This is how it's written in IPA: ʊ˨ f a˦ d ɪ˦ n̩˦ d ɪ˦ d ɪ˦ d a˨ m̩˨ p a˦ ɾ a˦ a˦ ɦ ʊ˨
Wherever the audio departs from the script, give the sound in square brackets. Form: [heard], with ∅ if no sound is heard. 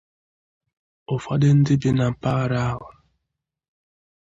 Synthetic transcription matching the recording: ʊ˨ f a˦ d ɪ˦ n̩˦ d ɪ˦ [b] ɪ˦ [n] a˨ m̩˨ p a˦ ɾ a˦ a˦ ɦ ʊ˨